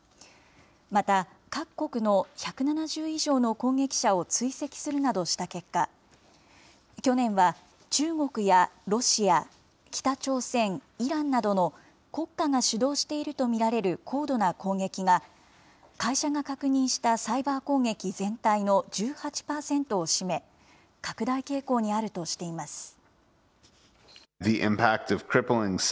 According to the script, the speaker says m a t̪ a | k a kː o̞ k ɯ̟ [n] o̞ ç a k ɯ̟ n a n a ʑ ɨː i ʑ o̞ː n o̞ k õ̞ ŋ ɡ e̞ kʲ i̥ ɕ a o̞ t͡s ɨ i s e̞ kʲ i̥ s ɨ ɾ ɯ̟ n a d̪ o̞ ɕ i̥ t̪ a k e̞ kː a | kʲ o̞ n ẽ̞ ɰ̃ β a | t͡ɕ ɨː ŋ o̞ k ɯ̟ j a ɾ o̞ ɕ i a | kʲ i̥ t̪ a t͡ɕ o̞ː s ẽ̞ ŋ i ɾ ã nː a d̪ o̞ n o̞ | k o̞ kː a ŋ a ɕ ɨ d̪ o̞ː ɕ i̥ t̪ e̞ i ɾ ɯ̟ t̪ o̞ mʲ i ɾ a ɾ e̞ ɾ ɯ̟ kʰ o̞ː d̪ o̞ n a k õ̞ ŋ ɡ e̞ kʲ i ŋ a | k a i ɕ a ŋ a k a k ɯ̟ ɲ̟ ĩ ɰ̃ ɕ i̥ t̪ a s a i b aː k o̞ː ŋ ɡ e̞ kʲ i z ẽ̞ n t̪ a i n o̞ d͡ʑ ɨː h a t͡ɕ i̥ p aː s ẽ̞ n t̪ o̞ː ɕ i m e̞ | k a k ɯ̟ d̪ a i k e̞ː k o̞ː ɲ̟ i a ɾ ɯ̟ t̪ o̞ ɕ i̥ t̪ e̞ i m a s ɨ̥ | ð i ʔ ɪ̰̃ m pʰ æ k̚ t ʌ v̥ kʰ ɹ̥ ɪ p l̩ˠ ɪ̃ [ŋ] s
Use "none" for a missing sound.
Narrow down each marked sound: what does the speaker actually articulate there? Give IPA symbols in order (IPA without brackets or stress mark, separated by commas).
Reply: n, ŋ